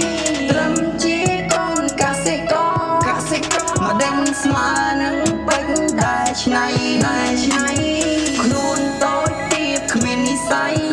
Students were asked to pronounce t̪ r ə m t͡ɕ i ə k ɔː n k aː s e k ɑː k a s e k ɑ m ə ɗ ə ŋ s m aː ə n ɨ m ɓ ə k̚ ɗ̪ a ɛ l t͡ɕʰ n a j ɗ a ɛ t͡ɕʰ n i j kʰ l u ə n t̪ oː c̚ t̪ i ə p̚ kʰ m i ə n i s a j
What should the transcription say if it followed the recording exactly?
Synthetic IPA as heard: t̪ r ə m t͡ɕ i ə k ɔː n k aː s e k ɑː k a s e k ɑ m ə ɗ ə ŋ s m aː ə n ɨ ŋ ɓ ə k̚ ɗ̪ a ɛ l t͡ɕʰ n a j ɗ a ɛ t͡ɕʰ n a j kʰ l u ə n t̪ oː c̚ t̪ i ə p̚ kʰ m i ə n i s a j